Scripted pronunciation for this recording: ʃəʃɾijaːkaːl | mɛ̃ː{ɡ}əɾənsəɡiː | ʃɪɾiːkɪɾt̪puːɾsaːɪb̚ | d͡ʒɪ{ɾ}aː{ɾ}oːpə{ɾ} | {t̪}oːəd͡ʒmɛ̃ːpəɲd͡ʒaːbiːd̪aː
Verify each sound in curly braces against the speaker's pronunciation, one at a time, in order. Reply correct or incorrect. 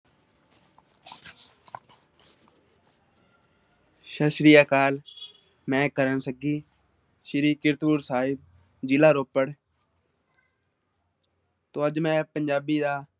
incorrect, incorrect, correct, incorrect, correct

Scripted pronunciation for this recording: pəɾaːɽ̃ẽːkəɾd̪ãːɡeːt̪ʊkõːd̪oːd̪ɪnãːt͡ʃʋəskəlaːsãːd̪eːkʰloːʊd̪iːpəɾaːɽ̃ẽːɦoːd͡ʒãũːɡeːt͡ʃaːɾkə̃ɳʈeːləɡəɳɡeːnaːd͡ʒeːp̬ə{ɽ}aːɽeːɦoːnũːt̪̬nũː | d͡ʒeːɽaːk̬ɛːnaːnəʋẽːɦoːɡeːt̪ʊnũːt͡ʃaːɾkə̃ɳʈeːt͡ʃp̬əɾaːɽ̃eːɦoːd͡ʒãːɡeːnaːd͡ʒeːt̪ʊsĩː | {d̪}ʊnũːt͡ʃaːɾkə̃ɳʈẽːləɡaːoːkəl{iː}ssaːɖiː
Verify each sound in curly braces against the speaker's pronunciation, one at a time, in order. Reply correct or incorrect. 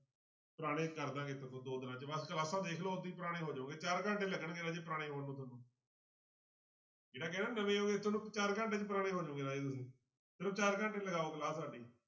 incorrect, incorrect, incorrect

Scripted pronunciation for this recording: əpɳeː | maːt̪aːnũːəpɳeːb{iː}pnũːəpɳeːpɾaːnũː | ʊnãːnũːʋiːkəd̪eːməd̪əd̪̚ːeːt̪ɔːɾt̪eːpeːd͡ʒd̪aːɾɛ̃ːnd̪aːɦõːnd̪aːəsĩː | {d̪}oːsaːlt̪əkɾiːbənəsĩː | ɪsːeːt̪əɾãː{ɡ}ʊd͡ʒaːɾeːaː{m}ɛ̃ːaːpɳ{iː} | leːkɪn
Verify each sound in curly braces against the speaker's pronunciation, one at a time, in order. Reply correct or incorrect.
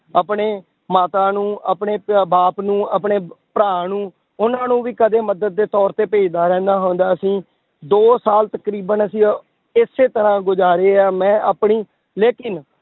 incorrect, correct, correct, correct, correct

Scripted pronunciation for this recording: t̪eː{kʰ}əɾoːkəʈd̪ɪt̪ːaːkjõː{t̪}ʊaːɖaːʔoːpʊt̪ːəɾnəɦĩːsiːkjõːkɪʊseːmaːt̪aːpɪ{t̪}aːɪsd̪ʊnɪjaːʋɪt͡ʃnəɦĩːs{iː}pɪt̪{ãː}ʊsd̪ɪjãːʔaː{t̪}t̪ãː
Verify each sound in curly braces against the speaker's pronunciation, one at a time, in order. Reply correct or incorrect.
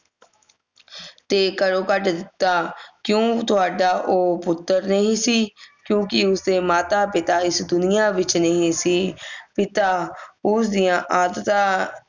incorrect, correct, correct, correct, incorrect, incorrect

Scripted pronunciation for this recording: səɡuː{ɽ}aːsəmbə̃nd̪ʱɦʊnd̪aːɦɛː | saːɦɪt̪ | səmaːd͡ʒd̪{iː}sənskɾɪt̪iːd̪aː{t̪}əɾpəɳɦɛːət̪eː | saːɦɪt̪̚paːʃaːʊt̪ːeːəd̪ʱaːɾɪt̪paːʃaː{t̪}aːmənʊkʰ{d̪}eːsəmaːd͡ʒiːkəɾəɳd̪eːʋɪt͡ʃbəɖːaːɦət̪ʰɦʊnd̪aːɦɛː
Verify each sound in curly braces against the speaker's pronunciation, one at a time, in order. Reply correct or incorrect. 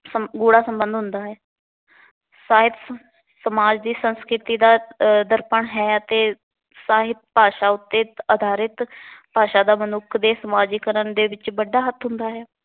correct, correct, incorrect, incorrect, correct

